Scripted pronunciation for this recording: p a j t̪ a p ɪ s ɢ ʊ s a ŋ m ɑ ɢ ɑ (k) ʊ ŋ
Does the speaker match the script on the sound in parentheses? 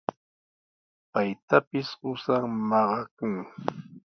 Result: yes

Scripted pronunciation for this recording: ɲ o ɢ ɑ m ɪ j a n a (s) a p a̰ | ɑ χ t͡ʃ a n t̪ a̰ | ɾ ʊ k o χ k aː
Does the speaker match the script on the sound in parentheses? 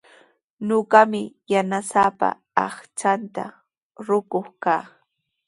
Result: yes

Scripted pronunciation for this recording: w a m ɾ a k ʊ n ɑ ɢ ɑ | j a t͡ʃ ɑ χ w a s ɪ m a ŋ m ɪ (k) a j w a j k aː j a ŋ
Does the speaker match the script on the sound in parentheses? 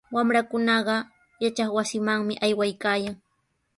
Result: no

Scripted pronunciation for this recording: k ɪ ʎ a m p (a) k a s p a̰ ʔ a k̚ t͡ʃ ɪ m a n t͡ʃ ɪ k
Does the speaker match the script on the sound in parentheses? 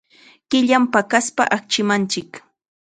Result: yes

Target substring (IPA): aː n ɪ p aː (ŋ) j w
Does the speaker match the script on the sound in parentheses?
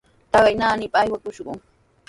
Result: no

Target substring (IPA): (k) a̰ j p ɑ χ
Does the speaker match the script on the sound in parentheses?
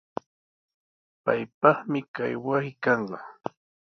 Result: no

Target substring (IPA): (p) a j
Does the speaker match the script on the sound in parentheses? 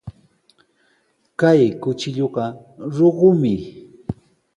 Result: no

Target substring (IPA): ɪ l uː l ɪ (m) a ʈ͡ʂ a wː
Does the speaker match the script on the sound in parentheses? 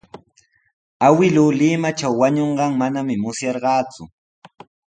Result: yes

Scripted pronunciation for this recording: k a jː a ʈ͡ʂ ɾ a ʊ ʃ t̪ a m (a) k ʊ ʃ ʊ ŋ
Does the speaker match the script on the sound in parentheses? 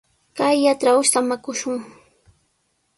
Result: yes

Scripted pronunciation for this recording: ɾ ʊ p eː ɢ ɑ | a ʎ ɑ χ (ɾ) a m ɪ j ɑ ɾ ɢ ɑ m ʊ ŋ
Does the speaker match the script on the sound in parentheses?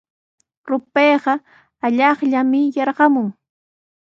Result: no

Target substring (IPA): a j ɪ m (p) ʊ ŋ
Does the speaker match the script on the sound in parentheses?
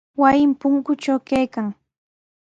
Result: yes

